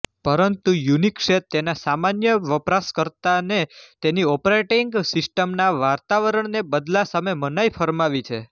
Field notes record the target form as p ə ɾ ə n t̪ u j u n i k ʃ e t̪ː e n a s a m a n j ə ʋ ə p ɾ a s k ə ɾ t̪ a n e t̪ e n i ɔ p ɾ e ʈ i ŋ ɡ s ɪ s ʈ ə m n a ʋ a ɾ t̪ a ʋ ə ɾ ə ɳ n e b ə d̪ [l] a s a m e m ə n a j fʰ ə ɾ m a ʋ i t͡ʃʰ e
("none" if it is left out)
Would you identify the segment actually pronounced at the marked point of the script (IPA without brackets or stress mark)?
l